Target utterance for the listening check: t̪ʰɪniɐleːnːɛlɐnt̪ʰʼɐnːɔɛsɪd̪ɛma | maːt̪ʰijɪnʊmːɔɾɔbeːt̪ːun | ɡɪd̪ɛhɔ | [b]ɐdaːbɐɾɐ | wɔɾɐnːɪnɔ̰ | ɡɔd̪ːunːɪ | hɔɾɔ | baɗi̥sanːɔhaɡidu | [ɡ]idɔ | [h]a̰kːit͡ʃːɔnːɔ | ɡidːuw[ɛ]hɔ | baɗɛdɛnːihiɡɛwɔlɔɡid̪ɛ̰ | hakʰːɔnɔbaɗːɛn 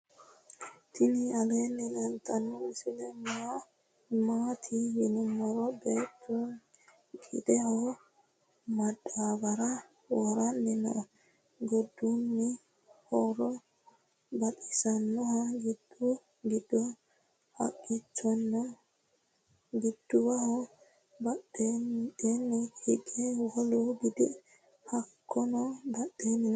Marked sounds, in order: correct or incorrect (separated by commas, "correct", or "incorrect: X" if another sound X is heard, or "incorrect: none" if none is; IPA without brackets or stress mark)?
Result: incorrect: m, correct, correct, incorrect: a